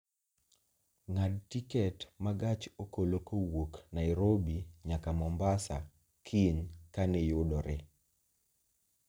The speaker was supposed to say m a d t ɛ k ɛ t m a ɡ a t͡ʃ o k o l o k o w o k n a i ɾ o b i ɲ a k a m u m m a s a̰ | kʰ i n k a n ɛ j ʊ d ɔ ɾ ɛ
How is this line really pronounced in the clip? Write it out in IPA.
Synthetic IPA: ŋ a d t i k ɛ t m a ɡ a t͡ʃ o k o l o k o w o k n a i ɾ o b i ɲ a k a m ɔ m b a s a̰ | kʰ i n k a n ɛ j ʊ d ɔ ɾ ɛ